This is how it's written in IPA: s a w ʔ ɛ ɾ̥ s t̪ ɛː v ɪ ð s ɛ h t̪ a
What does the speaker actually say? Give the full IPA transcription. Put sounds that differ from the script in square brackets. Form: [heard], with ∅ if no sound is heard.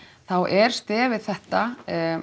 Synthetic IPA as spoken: [θ] a w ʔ ɛ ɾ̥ s t̪ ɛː v ɪ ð [θ] ɛ h t̪ a